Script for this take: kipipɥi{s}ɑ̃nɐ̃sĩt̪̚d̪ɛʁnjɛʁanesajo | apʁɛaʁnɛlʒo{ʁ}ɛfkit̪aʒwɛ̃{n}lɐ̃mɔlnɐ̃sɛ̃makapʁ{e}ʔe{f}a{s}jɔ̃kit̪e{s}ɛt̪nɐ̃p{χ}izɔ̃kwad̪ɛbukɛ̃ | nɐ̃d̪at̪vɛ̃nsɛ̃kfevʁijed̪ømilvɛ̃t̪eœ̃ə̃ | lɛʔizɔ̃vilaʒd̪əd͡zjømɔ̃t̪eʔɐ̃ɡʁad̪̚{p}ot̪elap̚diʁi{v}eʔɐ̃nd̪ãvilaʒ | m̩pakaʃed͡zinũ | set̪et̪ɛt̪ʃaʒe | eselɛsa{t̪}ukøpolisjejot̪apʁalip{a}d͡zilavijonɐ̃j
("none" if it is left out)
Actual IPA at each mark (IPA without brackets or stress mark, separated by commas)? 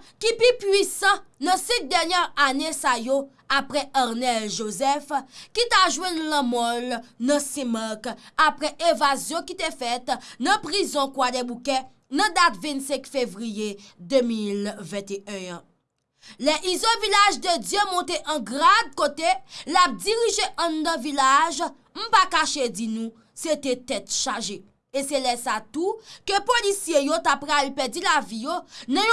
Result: s, z, n, ɛ, v, z, f, ʁ, k, ʒ, t̪, ɛ